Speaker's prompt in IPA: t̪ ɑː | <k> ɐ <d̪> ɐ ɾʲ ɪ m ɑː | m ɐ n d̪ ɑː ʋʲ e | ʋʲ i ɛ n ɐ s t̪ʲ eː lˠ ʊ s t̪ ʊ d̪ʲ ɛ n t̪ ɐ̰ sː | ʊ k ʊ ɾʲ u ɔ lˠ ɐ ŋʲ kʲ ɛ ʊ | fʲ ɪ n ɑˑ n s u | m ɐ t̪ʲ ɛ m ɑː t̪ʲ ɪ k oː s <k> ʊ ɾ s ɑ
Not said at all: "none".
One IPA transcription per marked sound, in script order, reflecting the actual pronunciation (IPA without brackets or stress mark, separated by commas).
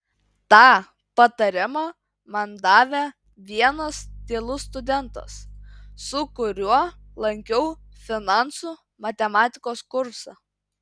p, t̪, k